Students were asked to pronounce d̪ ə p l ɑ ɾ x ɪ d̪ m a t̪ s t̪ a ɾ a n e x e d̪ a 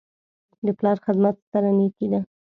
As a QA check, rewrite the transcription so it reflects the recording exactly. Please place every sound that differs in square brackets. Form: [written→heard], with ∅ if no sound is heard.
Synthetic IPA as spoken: d̪ ə p l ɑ ɾ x ɪ d̪ m a t̪ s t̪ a ɾ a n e [x→k] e d̪ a